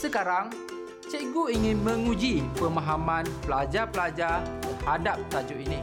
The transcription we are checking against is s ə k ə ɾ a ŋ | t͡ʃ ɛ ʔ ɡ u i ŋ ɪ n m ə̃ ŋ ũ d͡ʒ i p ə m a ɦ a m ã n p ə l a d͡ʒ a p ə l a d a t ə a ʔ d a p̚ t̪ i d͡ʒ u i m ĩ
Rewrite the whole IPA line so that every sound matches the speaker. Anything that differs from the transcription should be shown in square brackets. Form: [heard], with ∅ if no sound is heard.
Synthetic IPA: s ə k [a] ɾ a ŋ | t͡ʃ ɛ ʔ ɡ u i ŋ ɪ n m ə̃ ŋ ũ d͡ʒ i p ə m a ɦ a m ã n p ə l a d͡ʒ a p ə l a [d͡ʒ] a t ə a [∅] d a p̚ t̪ [a] d͡ʒ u i [n] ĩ